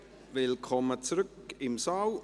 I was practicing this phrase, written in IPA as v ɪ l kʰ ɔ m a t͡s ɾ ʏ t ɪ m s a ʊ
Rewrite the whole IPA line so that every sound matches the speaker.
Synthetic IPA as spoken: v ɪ l kʰ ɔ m ə t͡s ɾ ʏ k ɪ m s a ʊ